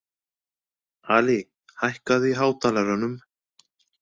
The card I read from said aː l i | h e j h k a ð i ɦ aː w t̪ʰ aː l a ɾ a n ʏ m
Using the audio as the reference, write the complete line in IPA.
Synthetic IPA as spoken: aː l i | h a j h k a ð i ɦ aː w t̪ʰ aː l a ɾ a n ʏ m